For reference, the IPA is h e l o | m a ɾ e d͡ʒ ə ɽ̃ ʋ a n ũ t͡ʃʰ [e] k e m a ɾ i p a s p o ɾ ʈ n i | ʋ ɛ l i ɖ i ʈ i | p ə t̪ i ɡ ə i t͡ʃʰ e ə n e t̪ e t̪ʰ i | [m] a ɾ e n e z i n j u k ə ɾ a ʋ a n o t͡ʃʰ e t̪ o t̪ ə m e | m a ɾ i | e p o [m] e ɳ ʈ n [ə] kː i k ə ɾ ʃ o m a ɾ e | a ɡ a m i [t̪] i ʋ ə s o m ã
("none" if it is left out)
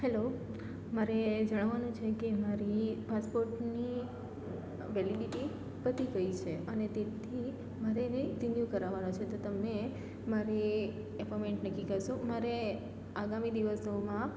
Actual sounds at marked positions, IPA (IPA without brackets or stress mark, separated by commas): e, m, m, ə, d̪